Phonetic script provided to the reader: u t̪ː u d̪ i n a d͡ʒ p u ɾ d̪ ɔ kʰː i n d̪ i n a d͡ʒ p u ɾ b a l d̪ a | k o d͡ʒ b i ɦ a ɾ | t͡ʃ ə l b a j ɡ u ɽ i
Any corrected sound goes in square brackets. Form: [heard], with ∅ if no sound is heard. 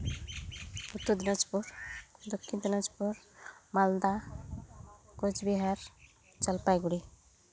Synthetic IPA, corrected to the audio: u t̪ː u d̪ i n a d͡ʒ p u ɾ d̪ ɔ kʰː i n d̪ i n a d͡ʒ p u ɾ [m] a l d̪ a | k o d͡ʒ b i ɦ a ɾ | t͡ʃ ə l [p] a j ɡ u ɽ i